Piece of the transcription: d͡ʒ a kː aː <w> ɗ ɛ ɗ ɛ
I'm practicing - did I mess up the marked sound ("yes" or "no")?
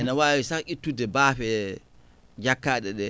yes